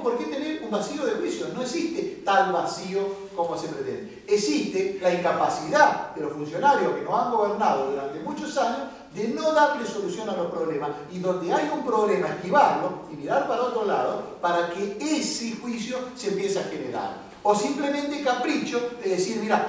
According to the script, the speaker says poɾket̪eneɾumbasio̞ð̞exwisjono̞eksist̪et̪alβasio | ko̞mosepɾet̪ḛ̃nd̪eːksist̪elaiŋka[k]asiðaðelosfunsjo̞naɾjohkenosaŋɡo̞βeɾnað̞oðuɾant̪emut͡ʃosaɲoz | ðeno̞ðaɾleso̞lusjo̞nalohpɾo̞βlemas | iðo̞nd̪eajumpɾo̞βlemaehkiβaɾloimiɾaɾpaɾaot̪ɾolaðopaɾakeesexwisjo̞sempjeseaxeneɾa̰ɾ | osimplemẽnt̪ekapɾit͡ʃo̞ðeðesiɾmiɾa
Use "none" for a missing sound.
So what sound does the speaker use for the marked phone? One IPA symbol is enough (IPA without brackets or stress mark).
p